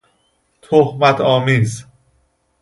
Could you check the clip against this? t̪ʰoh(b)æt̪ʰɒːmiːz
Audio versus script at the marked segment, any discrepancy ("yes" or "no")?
yes